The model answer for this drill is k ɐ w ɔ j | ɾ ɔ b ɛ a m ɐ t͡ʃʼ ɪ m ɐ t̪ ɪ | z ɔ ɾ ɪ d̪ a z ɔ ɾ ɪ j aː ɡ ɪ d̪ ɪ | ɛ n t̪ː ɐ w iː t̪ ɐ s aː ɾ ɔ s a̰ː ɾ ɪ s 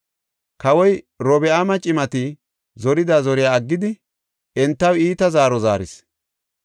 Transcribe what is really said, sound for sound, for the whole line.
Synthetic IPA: k ɐ w ɔ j | ɾ ɔ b ɛ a m ɐ t͡ʃʼ ɪ m ɐ t̪ ɪ | z ɔ ɾ ɪ d̪ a z ɔ ɾ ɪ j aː ɡː ɪ d̪ ɪ | ɛ n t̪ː ɐ w iː t̪ ɐ z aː ɾ ɔ z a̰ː ɾ ɪ s